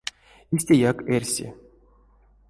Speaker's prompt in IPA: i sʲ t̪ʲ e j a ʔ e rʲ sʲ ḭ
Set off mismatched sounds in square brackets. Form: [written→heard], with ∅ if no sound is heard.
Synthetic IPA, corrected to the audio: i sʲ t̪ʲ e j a [ʔ→k] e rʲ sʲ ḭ